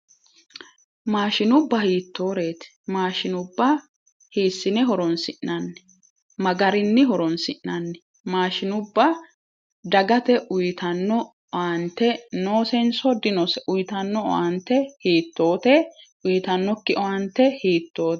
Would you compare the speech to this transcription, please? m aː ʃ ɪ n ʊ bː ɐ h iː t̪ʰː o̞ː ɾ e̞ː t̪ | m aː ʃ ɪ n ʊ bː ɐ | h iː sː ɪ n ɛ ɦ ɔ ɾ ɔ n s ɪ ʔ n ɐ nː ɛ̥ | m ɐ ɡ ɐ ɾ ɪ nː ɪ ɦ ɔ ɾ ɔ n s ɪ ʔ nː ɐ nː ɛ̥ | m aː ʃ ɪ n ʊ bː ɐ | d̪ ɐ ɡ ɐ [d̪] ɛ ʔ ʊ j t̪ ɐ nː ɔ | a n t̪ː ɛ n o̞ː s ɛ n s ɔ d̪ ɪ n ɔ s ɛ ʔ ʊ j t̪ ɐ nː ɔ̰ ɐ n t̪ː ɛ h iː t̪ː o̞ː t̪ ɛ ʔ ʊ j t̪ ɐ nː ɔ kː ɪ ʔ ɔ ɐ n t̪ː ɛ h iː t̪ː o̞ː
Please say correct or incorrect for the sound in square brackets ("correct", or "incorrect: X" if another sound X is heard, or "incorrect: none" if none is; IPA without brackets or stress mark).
incorrect: t̪